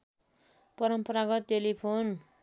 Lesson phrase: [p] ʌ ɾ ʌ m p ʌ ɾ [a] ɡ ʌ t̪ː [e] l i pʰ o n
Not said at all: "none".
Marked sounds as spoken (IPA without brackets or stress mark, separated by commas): p, a, e